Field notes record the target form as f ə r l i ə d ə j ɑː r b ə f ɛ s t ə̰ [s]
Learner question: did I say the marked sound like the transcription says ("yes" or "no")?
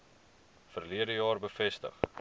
no